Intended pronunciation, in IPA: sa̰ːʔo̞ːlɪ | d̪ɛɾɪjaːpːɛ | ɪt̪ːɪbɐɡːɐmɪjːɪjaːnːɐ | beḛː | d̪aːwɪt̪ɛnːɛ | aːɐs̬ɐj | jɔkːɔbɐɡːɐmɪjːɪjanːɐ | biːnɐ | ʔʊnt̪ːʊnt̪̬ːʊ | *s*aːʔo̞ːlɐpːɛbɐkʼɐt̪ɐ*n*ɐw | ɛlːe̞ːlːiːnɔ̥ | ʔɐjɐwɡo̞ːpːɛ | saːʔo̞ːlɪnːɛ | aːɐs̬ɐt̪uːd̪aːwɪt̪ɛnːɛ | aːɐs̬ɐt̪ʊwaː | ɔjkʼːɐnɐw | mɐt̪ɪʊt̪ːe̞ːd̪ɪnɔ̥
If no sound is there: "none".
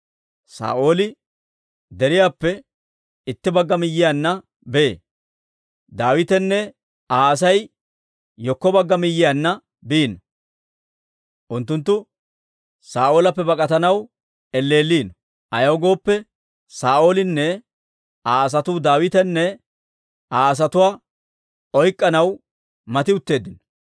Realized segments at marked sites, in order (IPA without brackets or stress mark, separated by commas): s, n